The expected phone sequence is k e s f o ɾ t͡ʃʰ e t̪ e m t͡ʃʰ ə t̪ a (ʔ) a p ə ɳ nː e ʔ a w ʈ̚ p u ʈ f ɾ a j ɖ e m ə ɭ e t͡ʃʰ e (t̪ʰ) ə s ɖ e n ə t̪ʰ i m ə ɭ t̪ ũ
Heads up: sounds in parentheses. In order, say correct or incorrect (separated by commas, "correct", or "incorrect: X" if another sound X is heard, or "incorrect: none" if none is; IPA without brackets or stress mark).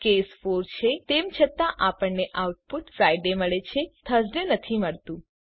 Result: correct, correct